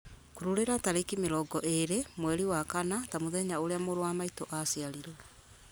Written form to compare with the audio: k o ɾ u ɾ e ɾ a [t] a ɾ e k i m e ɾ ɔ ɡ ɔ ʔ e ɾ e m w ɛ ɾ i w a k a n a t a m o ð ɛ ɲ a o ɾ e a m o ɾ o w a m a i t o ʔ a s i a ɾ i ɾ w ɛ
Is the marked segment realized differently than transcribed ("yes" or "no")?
no